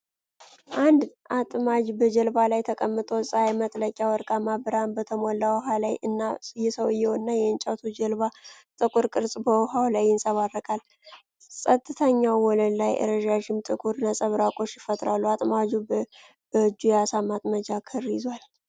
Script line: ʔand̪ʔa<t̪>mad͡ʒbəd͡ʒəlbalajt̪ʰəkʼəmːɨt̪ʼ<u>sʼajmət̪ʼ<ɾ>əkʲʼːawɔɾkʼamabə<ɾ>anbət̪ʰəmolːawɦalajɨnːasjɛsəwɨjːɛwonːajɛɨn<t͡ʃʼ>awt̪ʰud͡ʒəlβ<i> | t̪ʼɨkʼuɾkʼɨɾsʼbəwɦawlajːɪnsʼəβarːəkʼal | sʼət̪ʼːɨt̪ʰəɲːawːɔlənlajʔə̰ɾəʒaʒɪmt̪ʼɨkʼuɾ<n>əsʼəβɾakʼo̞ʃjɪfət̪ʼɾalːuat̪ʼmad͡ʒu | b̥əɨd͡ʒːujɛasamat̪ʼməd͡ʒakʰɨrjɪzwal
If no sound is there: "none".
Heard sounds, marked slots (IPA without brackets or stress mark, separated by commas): t̪ʼ, o, l, ɾ, t͡ʃʼ, a, n